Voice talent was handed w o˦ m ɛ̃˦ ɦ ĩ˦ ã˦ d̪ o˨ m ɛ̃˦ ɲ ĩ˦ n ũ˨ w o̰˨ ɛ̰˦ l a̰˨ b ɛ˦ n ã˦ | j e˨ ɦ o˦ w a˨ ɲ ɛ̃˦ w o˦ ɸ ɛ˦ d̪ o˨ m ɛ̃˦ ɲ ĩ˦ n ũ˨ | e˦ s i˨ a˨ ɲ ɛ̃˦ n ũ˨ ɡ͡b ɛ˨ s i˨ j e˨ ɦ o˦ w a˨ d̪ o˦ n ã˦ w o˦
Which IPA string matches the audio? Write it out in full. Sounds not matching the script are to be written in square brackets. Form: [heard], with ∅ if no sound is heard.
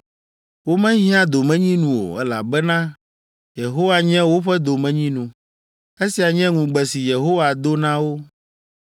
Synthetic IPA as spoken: w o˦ m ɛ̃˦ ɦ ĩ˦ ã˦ d̪ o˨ m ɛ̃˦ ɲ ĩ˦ n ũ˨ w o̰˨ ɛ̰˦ l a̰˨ b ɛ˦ n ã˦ | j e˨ ɦ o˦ w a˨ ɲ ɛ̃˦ w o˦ ɸ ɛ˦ d̪ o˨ m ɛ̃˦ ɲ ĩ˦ n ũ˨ | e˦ s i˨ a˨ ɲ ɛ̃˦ [ŋ] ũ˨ ɡ͡b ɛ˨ s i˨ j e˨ ɦ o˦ w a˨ d̪ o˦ n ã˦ w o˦